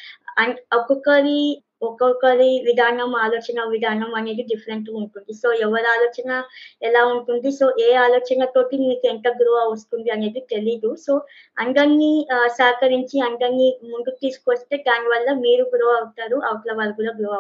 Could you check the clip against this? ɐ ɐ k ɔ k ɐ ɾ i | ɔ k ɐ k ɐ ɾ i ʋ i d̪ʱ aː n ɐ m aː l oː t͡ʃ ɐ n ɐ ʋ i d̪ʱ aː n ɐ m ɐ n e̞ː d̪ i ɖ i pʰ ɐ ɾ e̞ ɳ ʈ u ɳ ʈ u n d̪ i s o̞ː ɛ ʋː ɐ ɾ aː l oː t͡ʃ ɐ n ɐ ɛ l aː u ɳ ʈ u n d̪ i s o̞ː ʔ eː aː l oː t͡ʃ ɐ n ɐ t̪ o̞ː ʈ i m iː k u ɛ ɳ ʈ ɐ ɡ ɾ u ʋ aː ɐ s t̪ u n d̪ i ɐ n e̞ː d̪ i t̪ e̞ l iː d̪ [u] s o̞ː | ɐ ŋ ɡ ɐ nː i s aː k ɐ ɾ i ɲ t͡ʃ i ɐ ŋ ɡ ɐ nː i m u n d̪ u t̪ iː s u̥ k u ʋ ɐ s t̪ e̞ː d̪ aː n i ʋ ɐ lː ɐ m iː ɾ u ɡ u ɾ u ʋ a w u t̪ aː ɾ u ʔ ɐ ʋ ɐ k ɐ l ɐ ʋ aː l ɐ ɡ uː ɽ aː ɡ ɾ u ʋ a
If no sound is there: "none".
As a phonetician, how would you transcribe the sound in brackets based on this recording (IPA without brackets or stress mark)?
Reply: u